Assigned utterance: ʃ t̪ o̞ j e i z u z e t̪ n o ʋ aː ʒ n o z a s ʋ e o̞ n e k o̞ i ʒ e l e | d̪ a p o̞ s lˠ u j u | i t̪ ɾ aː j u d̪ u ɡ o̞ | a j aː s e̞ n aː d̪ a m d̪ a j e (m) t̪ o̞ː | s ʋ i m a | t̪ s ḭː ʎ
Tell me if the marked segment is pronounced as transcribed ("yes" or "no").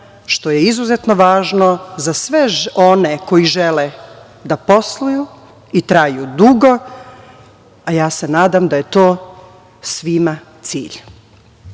no